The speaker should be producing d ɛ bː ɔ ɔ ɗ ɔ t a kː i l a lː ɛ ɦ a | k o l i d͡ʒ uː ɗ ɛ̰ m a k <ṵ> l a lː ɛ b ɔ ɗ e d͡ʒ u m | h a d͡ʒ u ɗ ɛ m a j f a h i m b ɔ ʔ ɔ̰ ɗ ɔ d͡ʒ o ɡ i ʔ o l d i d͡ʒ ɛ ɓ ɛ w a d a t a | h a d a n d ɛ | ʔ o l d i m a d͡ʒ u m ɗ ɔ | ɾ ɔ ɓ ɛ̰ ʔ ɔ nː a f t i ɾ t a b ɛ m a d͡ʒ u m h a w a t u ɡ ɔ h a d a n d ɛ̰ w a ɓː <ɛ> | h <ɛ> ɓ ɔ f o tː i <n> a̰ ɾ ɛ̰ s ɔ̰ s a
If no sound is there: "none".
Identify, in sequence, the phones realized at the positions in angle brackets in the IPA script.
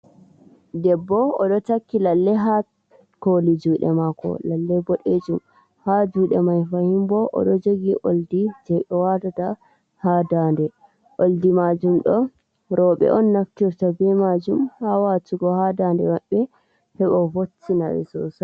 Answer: ɔ̰, ɛ, ɛ, n

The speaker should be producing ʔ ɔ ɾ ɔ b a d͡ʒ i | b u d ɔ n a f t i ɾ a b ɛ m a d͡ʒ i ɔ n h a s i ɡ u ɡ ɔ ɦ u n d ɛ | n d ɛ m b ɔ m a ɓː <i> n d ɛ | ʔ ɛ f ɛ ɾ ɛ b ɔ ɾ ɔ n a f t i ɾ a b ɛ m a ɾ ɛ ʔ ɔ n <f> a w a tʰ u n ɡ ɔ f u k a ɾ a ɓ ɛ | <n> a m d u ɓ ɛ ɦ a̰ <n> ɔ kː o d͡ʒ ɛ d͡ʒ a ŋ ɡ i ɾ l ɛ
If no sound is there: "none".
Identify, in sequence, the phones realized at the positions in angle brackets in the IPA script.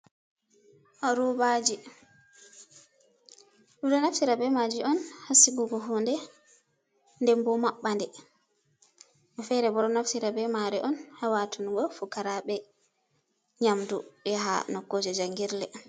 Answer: a, h, ɲ, n

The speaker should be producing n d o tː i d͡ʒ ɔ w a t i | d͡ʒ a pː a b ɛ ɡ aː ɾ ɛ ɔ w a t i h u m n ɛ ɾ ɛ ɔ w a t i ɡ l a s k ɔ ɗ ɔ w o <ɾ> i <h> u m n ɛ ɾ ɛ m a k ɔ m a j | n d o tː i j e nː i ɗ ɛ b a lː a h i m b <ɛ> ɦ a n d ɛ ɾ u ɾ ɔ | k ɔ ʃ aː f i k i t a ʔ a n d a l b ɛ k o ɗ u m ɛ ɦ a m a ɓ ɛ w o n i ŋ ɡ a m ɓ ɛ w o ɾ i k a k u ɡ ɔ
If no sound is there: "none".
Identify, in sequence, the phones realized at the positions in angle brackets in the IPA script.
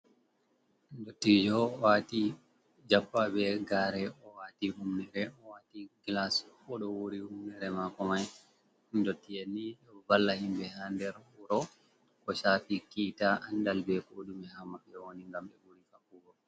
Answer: ɾ, h, ɛ

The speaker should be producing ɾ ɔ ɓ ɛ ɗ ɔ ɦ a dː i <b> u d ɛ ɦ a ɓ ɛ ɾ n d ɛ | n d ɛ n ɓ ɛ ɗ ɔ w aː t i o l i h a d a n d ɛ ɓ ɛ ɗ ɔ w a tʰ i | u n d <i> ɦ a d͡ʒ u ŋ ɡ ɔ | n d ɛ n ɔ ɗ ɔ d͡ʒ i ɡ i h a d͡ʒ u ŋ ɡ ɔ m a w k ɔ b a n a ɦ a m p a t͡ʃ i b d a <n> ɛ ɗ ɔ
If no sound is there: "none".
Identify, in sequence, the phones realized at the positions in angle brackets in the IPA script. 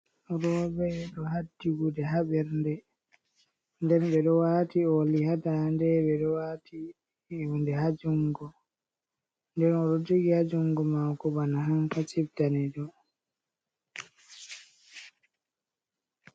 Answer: ɡ, ɛ, n

